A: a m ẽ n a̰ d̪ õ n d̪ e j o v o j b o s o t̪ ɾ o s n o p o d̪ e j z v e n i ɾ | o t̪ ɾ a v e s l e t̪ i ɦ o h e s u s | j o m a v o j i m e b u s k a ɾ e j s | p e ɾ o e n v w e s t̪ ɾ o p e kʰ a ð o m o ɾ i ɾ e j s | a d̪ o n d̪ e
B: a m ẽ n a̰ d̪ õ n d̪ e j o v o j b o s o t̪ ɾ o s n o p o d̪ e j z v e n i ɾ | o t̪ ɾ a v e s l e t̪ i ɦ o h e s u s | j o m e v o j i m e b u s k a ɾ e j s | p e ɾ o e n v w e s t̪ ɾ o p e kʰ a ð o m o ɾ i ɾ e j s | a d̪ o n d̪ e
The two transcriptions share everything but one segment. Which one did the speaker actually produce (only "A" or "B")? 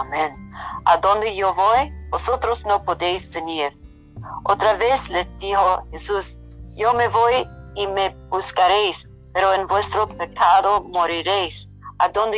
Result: B